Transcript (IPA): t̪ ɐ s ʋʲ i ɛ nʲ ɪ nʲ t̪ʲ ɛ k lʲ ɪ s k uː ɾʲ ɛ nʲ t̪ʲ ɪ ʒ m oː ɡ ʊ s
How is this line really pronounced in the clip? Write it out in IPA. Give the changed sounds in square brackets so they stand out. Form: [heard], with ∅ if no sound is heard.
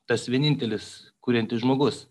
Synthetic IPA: t̪ ɐ s ʋʲ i ɛ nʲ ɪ nʲ t̪ʲ ɛ [∅] lʲ ɪ s k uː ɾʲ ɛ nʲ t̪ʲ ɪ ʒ m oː ɡ ʊ s